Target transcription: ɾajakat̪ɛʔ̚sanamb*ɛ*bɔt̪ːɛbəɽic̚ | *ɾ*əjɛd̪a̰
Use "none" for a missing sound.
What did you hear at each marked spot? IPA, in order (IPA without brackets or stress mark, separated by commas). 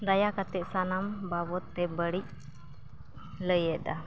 a, l